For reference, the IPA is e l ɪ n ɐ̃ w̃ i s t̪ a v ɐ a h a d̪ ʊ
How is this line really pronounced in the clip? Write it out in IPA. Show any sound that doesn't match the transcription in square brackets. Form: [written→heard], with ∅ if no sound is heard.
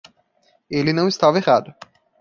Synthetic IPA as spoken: e l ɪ n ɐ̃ w̃ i s t̪ a v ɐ [a→e] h a d̪ ʊ

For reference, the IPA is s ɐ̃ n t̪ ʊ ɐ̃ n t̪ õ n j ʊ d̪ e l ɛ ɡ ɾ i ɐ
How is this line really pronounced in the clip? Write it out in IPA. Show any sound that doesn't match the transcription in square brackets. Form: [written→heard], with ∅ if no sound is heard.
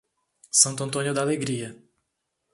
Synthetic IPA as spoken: s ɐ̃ n t̪ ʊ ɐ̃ n t̪ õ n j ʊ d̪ [e→a] l [ɛ→e] ɡ ɾ i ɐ

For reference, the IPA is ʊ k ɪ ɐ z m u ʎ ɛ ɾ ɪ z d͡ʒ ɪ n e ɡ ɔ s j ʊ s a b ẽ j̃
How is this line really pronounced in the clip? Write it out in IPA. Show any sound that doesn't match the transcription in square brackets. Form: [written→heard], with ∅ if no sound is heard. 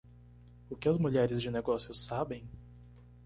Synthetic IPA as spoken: ʊ k ɪ ɐ z m u ʎ ɛ ɾ ɪ z d͡ʒ ɪ n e ɡ ɔ s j ʊ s a b ẽ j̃

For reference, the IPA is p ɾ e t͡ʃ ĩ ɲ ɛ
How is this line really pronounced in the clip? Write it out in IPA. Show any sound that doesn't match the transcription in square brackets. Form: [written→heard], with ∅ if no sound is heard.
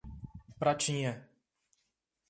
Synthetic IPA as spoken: p ɾ [e→a] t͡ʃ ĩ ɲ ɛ

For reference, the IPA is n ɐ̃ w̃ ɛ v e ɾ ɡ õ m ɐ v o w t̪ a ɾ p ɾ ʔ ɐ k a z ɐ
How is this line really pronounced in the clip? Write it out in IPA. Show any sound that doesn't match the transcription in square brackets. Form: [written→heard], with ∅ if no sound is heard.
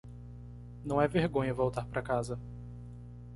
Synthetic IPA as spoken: n ɐ̃ w̃ ɛ v e ɾ ɡ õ [m→ɲ] ɐ v o w t̪ a ɾ p ɾ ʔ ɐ k a z ɐ

